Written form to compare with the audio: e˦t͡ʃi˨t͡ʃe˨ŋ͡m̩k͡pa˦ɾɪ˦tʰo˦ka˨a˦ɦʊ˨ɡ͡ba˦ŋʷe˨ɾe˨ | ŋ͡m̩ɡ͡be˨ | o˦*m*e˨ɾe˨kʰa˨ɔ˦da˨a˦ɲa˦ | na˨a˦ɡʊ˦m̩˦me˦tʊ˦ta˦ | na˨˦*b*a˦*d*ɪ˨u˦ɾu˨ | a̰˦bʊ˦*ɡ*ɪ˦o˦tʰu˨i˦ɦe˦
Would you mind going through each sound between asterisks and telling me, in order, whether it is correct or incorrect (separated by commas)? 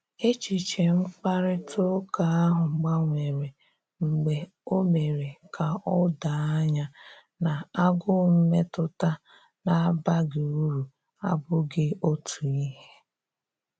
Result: correct, correct, incorrect, correct